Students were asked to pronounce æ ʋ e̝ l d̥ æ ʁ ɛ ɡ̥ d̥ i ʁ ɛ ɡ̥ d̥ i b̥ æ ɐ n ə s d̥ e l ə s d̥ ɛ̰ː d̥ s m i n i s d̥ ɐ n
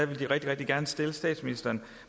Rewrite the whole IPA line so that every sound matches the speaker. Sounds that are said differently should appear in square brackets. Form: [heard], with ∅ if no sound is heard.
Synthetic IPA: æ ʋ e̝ l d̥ [i] ʁ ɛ ɡ̥ d̥ i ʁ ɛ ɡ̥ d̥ i [ɡ̥] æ ɐ n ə s d̥ e l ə s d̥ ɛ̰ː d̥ s m i n i s d̥ ɐ n